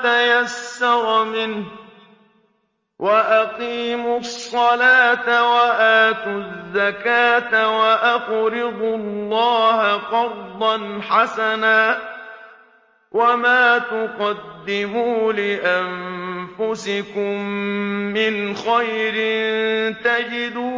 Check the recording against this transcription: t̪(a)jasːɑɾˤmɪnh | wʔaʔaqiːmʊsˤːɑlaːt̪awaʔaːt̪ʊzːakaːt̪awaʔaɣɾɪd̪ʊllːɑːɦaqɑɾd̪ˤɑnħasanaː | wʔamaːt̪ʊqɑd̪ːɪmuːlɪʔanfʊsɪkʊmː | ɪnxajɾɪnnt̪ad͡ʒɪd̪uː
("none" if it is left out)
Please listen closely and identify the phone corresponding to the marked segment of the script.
a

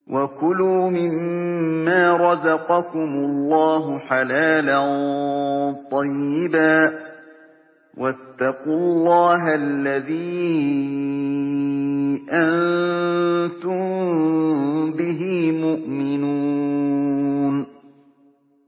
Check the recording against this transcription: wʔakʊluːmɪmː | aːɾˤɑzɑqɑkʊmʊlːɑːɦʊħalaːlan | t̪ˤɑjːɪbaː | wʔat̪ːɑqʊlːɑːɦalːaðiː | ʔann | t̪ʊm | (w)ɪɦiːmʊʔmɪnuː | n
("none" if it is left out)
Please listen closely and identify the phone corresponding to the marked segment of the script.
b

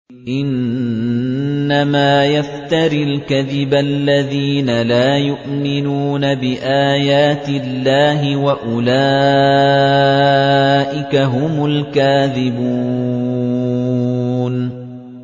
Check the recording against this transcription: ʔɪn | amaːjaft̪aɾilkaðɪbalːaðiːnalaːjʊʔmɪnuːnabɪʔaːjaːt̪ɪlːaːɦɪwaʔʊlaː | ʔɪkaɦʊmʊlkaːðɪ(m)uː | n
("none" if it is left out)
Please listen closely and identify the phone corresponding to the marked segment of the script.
b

